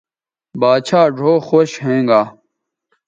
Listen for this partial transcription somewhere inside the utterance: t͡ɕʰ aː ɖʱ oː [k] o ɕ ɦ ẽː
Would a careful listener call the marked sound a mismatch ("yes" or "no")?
yes